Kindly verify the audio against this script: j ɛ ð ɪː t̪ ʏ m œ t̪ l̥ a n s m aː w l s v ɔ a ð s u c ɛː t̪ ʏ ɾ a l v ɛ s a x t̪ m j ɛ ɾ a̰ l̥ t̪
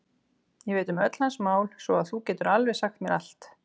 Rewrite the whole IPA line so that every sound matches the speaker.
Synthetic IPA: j ɛ v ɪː t̪ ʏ m œ t̪ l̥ a n s m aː w l s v ɔ a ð θ u c ɛː t̪ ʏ ɾ a l v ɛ s a x t̪ m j ɛ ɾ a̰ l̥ t̪